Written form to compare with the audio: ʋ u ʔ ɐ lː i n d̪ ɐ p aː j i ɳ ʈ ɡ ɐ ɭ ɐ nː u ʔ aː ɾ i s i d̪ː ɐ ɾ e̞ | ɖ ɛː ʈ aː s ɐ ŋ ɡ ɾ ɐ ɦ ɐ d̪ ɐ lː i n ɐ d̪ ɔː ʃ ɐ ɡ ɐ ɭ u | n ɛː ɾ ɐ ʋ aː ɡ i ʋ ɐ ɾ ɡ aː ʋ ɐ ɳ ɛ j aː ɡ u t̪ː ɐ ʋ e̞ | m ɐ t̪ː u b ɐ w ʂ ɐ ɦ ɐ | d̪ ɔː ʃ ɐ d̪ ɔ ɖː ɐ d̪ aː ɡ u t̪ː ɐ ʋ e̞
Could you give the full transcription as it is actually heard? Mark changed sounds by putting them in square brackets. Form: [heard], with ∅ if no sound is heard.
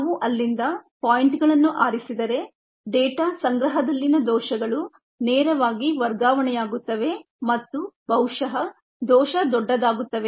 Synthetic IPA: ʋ u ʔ ɐ lː i n d̪ ɐ p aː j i ɳ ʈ ɡ ɐ ɭ ɐ nː u ʔ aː ɾ i s i [d̪] ɐ ɾ e̞ | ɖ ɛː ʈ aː s ɐ ŋ ɡ ɾ ɐ ɦ ɐ d̪ ɐ lː i n ɐ d̪ ɔː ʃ ɐ ɡ ɐ ɭ u | n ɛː ɾ ɐ ʋ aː ɡ i ʋ ɐ ɾ ɡ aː ʋ ɐ ɳ ɛ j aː ɡ u t̪ː ɐ ʋ e̞ | m ɐ t̪ː u b ɐ w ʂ ɐ ɦ ɐ | d̪ ɔː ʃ ɐ d̪ ɔ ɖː ɐ d̪ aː ɡ u t̪ː ɐ ʋ e̞